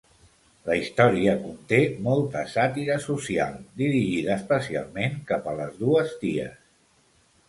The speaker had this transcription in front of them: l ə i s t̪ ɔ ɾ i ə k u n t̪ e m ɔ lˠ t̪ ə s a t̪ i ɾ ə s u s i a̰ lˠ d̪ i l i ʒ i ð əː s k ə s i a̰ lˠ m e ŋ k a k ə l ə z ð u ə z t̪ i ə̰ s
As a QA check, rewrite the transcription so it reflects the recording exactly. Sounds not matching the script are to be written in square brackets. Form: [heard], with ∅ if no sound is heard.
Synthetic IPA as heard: l ə i s t̪ ɔ ɾ i ə k u n t̪ e m ɔ lˠ t̪ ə s a t̪ i ɾ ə s u s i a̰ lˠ d̪ i [ɾ] i ʒ i ð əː s [p] ə s i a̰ lˠ m e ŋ k a [p] ə l ə z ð u ə z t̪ i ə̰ s

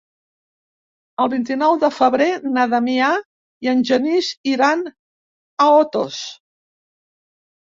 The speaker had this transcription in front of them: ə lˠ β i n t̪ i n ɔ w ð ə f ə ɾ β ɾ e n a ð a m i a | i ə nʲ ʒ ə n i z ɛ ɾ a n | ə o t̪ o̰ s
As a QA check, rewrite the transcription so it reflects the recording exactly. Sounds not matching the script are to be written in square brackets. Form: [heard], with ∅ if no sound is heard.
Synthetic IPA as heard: ə lˠ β i n t̪ i n ɔ w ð ə f ə [∅] β ɾ e n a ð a m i a | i ə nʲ ʒ ə n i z [i] ɾ a n | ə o t̪ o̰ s

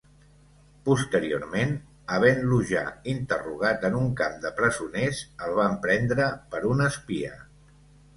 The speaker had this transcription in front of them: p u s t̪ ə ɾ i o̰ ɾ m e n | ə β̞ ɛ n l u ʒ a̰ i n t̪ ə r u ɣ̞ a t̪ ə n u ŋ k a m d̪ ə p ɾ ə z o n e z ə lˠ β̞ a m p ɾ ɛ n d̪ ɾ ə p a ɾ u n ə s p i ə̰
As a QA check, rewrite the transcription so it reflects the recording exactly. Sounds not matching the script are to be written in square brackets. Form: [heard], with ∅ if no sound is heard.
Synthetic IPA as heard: p u s t̪ ə ɾ i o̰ ɾ m e n | ə β̞ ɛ n l u ʒ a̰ i n t̪ ə r u ɣ̞ a t̪ ə n u ŋ k a m d̪ ə p ɾ ə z [u] n e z ə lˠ β̞ a m p ɾ ɛ n d̪ ɾ ə p [ə] ɾ u n ə s p i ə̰

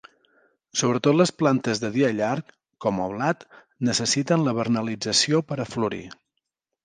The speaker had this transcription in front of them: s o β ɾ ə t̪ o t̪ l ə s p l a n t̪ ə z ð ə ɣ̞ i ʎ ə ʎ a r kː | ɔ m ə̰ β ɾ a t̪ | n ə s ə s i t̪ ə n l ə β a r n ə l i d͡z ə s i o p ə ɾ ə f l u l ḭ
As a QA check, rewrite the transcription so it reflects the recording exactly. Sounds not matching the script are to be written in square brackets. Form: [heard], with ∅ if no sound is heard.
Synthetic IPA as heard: s o β ɾ ə t̪ o t̪ l ə s p l a n t̪ ə z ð ə [ð̞] i [∅] ə ʎ a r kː | ɔ m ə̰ β [l] a t̪ | n ə s ə s i t̪ ə n l ə β [ə] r n ə l i d͡z ə s i o p ə ɾ ə f l u [ɾ] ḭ

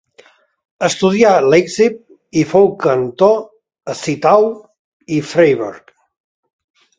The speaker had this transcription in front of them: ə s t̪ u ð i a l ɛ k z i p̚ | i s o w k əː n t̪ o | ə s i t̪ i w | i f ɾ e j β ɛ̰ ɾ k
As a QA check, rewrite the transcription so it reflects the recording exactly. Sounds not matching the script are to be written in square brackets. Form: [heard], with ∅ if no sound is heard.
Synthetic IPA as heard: ə s t̪ u ð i a l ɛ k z i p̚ | i [f] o w k [ə] n t̪ o | ə s i t̪ [a] w | i f ɾ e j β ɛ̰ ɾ k

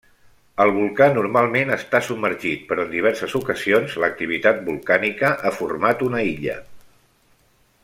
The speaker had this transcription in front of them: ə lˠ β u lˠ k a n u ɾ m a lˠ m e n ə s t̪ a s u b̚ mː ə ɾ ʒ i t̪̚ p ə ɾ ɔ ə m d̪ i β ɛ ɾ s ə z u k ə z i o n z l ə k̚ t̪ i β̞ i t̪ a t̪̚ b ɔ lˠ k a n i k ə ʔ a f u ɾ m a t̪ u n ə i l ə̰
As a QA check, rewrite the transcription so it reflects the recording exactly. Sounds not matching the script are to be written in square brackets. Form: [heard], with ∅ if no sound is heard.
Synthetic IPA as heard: ə lˠ β u lˠ k a n u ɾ m a lˠ m e n ə s t̪ a s u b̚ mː ə ɾ ʒ i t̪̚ p ə ɾ ɔ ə [n] d̪ i β ɛ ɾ s ə z u k ə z i o n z l ə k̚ t̪ i β̞ i t̪ a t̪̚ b [u] lˠ k a n i k ə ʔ a f u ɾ m a t̪ u n ə i [ʎ] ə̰

